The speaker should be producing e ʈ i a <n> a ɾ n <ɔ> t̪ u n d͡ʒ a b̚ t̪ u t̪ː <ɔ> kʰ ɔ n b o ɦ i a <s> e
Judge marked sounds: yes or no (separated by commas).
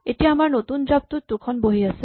no, no, no, yes